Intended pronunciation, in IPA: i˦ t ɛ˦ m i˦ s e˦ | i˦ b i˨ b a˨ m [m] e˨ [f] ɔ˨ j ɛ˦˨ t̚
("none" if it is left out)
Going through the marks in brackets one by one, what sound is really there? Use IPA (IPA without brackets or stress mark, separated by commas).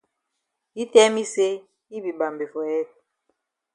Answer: b, f